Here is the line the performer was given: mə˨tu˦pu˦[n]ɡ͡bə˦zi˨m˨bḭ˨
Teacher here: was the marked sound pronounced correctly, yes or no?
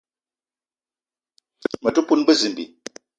yes